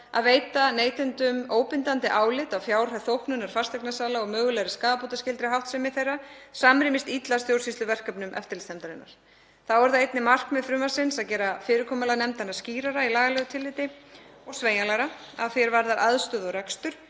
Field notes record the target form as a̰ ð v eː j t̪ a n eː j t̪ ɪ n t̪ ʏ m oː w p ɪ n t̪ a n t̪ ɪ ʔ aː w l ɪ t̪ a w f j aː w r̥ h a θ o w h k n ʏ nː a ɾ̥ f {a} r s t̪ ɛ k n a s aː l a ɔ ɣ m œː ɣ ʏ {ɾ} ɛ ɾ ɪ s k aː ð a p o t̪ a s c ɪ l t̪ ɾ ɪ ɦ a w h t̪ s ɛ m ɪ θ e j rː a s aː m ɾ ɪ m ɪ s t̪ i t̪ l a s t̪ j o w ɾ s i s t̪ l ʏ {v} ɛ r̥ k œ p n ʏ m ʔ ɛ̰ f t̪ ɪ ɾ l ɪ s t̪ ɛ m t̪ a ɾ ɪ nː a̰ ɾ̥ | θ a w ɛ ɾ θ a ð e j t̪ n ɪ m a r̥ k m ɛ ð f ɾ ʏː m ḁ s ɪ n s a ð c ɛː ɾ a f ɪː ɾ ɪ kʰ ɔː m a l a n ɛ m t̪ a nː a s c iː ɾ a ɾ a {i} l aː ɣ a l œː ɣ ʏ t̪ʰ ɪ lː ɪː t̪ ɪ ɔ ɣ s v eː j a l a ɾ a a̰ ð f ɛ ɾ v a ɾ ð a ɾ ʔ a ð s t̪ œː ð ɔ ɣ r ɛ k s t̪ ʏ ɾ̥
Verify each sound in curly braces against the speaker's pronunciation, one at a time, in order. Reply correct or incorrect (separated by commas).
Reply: correct, incorrect, correct, correct